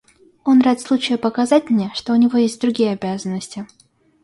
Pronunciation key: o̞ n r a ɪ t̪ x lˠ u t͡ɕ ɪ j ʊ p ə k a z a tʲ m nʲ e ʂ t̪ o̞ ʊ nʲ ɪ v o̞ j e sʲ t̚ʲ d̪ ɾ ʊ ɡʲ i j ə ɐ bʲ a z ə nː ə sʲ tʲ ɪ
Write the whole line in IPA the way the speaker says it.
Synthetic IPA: o̞ n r a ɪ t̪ s lˠ u t͡ɕ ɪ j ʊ p ə k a z a tʲ m nʲ e ʂ t̪ o̞ ʊ nʲ ɪ v o̞ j e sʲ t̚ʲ d̪ ɾ ʊ ɡʲ i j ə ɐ bʲ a z ə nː ə sʲ tʲ ɪ